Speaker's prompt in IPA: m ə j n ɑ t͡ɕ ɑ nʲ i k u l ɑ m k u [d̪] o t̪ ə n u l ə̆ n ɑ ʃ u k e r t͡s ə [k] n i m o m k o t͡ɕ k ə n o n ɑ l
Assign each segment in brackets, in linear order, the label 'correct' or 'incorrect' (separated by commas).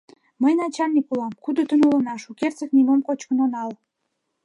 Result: correct, correct